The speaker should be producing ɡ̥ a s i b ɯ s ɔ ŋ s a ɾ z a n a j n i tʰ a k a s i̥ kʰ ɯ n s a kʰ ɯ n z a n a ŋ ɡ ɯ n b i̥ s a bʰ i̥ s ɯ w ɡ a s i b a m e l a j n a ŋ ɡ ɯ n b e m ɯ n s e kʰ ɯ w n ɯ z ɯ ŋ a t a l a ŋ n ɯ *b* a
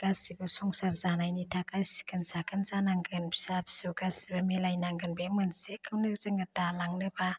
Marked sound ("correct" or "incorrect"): correct